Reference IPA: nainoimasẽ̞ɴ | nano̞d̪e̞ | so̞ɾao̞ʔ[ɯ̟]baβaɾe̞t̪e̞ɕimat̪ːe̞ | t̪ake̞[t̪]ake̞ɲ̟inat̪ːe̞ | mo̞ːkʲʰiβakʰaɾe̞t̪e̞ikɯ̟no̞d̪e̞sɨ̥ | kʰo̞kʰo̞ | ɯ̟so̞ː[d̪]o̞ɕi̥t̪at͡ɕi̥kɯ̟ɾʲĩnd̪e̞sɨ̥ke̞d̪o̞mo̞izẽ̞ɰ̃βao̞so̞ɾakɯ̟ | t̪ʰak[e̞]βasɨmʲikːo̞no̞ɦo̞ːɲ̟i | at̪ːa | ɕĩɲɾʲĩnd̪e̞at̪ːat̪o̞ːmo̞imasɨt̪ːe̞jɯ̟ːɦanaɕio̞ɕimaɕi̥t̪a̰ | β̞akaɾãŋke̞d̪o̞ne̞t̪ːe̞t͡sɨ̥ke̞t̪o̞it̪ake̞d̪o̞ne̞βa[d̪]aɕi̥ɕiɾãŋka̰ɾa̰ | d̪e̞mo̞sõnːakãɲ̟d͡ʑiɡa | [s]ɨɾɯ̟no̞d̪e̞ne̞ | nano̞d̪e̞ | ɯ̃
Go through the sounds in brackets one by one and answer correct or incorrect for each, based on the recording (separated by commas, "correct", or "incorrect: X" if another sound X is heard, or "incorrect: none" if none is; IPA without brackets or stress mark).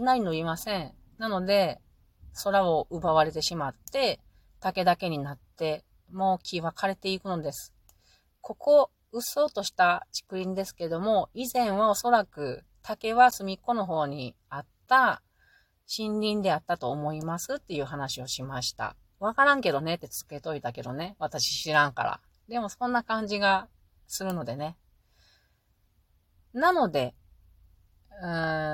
correct, incorrect: d̪, incorrect: t̪, correct, incorrect: t̪, correct